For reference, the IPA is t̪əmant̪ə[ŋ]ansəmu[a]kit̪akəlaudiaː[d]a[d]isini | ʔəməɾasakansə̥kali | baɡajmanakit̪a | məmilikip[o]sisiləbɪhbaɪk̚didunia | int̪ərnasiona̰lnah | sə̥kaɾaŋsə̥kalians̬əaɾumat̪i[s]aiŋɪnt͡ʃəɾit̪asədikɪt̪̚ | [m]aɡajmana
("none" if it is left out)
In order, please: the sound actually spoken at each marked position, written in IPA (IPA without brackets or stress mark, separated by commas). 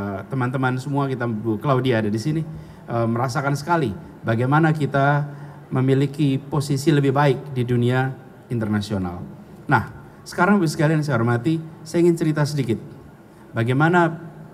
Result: m, a, d, d, o, s, b